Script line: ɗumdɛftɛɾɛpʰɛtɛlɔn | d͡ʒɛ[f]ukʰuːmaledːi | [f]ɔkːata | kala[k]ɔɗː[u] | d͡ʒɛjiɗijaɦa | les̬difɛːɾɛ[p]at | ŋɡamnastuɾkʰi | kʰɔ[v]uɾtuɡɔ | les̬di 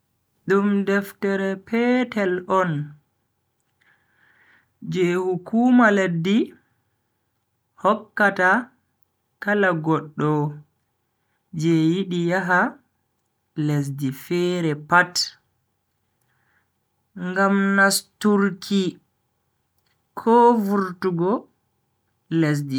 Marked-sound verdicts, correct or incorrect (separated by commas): incorrect, incorrect, incorrect, incorrect, correct, correct